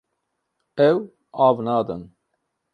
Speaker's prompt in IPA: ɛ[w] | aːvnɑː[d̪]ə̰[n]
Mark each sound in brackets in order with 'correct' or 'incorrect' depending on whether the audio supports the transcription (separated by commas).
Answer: correct, correct, correct